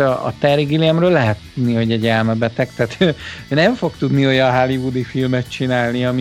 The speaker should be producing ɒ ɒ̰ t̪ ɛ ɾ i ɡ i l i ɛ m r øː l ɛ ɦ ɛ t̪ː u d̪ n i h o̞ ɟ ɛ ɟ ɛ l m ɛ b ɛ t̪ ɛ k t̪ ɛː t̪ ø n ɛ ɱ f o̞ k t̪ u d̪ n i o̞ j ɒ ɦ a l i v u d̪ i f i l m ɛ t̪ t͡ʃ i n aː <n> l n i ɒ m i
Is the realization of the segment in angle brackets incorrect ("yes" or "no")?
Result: yes